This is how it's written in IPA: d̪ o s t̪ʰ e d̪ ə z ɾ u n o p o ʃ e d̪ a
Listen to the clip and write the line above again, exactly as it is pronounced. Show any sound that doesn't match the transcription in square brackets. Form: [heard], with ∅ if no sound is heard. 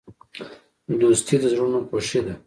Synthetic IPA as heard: d̪ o s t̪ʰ [i] d̪ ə z ɾ u n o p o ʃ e d̪ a